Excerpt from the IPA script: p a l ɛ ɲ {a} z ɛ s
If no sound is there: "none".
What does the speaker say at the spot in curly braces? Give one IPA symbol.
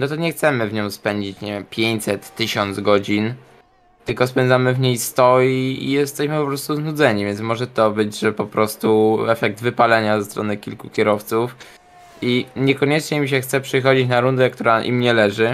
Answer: a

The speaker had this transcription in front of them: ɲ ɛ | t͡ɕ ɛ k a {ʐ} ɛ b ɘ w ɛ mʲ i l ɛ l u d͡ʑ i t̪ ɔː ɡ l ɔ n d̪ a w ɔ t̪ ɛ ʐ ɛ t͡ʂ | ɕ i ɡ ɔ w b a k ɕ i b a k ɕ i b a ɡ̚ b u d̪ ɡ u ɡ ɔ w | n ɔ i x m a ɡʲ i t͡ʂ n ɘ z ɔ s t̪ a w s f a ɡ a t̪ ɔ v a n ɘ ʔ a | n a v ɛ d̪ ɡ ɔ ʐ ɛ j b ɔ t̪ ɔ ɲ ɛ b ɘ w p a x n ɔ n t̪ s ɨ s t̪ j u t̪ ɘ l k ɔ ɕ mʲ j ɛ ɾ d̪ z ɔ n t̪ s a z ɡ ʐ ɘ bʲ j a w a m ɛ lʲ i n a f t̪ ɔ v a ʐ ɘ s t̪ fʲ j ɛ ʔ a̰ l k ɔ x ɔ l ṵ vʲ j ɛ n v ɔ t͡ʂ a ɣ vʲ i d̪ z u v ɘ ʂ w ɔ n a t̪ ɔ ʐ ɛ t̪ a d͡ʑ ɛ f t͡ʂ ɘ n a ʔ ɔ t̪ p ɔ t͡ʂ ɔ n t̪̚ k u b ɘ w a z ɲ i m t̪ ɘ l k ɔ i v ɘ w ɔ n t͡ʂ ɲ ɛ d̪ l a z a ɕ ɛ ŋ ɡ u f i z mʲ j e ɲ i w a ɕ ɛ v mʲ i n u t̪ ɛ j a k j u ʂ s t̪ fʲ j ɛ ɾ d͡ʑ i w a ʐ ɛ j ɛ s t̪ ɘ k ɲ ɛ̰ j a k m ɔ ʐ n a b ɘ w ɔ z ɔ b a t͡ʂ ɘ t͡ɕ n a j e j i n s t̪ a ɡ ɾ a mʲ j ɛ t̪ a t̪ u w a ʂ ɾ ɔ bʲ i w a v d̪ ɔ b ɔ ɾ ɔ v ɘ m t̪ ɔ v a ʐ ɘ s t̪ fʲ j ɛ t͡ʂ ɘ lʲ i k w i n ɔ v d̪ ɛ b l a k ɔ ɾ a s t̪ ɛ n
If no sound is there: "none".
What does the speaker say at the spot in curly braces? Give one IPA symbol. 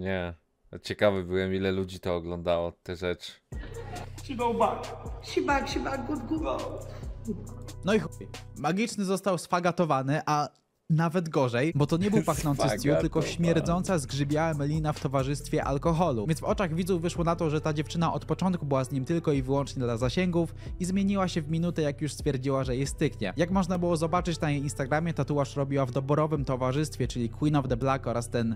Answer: v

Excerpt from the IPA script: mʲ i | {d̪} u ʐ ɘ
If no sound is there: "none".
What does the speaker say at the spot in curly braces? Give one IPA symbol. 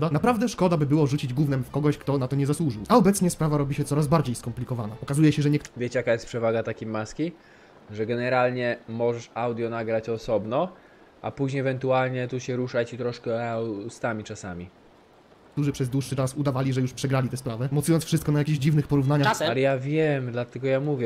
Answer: t̪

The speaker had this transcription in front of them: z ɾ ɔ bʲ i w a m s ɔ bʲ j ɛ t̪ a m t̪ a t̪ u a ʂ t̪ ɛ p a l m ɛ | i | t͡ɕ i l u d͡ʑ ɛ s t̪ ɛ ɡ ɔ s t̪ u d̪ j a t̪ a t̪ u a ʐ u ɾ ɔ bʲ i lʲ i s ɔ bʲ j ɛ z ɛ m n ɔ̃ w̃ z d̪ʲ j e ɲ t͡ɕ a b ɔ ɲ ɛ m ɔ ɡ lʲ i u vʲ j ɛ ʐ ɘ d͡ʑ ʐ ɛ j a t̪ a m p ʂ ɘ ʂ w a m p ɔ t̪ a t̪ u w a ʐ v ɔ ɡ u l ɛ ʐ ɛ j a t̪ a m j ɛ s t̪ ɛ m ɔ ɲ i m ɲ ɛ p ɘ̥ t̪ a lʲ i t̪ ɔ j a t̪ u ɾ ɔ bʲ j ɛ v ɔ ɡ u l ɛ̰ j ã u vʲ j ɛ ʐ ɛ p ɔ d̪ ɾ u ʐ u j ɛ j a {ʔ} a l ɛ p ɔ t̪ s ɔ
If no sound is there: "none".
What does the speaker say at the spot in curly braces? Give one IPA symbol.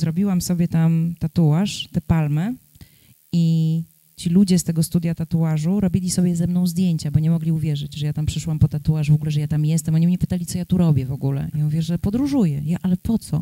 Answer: ʔ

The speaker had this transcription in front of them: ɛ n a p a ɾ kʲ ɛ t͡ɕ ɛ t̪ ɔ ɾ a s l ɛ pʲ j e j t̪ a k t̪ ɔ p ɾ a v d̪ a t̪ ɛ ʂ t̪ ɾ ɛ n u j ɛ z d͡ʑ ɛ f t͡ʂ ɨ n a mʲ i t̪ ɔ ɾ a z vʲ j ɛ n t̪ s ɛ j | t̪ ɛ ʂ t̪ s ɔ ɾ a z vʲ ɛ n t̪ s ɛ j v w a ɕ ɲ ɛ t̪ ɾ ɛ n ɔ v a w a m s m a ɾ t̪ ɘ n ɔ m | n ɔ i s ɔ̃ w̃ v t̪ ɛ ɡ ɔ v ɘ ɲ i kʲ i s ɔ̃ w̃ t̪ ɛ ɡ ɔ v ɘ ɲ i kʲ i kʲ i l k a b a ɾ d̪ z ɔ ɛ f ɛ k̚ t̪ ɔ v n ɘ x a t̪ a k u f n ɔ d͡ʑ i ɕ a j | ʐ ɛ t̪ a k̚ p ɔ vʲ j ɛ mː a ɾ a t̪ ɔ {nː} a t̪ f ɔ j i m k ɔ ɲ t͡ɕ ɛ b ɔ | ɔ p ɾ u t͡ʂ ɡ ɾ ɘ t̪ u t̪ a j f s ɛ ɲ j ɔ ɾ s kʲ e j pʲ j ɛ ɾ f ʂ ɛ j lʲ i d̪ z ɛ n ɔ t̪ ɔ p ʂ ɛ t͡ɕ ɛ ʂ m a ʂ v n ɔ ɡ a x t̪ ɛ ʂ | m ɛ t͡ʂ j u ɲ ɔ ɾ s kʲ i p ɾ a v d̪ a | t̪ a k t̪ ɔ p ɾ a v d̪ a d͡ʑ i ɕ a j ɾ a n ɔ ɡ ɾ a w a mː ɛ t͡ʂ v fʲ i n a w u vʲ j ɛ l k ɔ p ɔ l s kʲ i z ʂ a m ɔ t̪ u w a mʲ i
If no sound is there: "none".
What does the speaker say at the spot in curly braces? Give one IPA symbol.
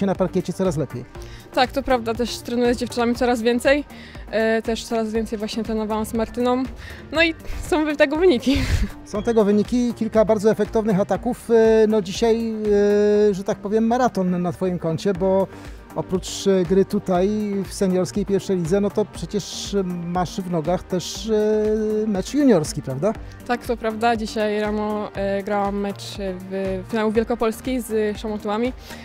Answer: nː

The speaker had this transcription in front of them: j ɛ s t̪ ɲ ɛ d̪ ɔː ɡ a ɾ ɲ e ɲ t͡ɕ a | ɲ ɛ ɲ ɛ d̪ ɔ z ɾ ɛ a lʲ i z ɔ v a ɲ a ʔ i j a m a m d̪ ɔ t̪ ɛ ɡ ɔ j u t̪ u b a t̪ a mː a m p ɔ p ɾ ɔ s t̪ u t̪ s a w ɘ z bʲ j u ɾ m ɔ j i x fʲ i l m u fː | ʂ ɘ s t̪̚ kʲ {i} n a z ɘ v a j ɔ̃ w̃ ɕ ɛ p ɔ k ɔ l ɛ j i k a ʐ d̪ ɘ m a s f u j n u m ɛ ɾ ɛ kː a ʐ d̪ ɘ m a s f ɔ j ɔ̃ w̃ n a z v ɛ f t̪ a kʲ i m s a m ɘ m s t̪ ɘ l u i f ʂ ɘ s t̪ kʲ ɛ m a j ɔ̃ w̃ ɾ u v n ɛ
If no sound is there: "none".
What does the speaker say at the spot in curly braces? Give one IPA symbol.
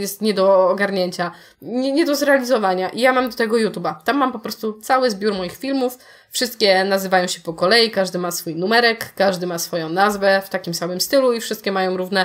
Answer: ɛ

